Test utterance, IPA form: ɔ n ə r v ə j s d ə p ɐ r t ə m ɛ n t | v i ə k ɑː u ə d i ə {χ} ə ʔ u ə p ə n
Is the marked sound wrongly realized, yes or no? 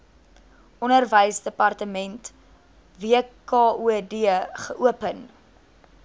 no